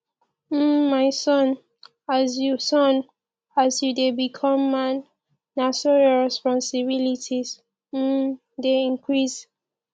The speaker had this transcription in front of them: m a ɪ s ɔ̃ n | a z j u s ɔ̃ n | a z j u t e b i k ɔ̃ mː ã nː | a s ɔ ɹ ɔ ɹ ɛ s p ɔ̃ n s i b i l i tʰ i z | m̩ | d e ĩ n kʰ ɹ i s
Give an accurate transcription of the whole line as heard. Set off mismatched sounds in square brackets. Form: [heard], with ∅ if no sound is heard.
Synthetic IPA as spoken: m a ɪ s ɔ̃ n | a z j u s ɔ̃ n | a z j u [d] e b i [kʰ] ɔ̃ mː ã nː | a s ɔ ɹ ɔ ɹ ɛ s p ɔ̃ n s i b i l i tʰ i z | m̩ | d e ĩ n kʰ ɹ i s